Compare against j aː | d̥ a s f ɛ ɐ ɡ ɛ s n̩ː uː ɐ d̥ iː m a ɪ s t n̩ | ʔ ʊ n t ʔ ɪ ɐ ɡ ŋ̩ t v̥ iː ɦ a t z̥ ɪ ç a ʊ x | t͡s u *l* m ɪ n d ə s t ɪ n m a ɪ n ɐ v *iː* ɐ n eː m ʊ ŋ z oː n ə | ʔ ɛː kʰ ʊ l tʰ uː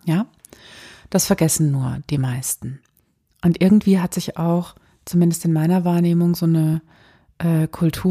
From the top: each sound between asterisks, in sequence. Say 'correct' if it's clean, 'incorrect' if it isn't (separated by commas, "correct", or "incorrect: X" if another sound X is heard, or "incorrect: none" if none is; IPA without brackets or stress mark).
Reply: incorrect: none, incorrect: aː